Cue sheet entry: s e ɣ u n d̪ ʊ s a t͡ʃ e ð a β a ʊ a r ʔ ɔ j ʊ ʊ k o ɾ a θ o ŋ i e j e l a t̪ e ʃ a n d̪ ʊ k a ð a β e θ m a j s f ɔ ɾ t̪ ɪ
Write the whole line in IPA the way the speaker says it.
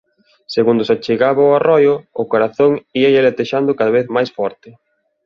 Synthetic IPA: s e ɣ u n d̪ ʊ s a t͡ʃ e ɣ a β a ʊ a r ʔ ɔ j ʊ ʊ k o ɾ a θ o ŋ i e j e l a t̪ e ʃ a n d̪ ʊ k a ð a β e θ m a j s f ɔ ɾ t̪ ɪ